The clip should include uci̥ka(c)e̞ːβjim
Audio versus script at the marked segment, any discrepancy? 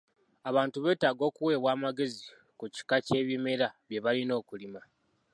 no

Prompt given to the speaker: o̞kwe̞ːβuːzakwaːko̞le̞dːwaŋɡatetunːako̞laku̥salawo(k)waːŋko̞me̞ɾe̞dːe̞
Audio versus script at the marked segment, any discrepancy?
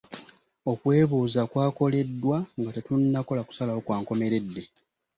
no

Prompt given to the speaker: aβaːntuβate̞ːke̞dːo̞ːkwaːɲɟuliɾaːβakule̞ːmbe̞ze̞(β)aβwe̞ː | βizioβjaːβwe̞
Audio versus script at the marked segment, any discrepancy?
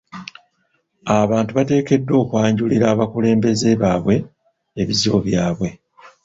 no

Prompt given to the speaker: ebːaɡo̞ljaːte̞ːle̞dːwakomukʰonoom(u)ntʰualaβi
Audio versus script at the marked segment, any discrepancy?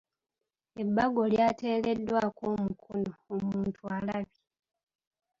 yes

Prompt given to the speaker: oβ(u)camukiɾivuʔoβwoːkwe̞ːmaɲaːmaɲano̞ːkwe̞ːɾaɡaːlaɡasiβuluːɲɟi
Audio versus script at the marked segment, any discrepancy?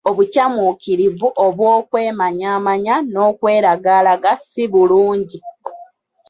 no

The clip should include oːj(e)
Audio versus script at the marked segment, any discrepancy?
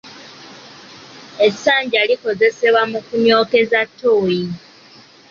yes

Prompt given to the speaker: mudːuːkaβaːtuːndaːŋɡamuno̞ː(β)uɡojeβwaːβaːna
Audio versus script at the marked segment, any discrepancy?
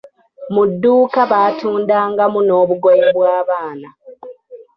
no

